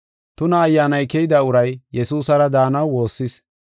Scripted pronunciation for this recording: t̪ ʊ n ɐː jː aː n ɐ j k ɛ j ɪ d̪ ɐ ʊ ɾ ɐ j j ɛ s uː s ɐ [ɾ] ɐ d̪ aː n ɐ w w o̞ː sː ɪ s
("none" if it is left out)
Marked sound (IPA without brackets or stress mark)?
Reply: ɾ